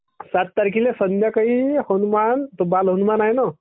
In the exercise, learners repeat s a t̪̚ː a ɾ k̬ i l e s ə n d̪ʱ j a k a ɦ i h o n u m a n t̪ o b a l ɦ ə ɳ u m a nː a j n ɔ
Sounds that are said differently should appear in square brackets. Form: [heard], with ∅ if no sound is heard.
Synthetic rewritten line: s a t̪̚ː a ɾ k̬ i l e s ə n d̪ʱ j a k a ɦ i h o n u m a n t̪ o b a l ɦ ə [n] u m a [n] a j n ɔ